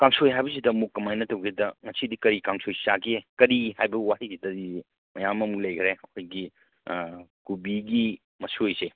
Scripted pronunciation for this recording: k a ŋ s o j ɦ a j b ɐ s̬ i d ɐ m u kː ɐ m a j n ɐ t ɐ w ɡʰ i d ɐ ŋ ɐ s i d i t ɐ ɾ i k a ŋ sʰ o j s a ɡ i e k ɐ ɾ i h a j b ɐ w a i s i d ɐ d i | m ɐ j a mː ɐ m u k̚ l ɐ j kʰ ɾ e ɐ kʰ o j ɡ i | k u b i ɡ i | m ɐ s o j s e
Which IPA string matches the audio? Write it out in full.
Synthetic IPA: k a ŋ s o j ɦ a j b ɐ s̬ i d ɐ m u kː ɐ m a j n ɐ t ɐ w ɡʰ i d ɐ ŋ ɐ s i d i k ɐ ɾ i k a ŋ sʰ o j s a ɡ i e k ɐ ɾ i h a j b ɐ w a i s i d ɐ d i | m ɐ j a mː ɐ m u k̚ l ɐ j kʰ ɾ e ɐ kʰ o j ɡ i | k u b i ɡ i | m ɐ s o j s e